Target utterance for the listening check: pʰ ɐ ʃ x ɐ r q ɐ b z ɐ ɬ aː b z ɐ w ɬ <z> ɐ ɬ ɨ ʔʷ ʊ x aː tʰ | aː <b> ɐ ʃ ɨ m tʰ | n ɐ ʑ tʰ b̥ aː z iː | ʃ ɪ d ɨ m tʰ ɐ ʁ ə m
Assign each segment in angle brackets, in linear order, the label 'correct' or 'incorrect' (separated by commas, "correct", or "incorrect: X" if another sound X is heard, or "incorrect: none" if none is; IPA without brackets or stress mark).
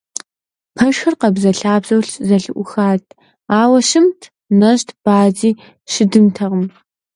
correct, incorrect: w